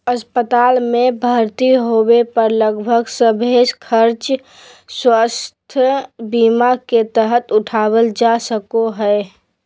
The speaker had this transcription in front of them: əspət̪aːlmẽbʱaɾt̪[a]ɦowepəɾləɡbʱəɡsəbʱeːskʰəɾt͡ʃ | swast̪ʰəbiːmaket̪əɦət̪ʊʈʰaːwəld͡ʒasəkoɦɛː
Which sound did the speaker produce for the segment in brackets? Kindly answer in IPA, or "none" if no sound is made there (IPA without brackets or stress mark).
i